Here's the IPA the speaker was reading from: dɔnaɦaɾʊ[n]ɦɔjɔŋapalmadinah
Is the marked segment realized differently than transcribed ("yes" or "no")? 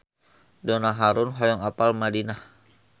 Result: no